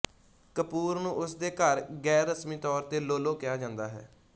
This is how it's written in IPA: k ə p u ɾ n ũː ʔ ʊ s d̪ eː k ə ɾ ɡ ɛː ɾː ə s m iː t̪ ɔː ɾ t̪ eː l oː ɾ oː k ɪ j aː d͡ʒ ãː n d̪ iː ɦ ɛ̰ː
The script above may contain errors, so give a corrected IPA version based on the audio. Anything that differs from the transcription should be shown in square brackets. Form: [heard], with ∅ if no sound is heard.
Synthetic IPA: k ə p [uː] ɾ n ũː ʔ ʊ s d̪ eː k ə ɾ ɡ ɛː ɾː ə s m iː t̪ ɔː ɾ t̪ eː l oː [l] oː k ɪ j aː d͡ʒ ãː n d̪ [aː] ɦ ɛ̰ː